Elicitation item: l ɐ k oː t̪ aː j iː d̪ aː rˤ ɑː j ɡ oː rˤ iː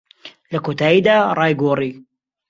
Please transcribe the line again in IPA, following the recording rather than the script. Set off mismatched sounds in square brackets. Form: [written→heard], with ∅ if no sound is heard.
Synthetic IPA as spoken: l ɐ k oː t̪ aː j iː d̪ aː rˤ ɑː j ɡ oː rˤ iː